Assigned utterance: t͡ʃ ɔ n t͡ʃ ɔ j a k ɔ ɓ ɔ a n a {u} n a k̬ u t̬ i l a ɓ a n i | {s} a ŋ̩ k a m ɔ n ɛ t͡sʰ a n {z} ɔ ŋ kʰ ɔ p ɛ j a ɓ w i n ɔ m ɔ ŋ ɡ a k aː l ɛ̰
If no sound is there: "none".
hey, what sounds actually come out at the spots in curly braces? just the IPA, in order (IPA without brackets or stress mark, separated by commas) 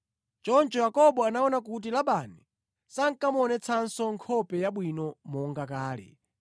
ɔ, s, s